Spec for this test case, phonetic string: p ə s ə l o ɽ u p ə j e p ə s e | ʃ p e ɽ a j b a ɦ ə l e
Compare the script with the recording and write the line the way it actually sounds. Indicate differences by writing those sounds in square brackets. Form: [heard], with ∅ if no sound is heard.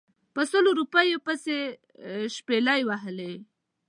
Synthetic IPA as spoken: p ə s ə l o [ɾ] u p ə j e p ə s e | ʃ p e [l] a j [w] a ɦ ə l e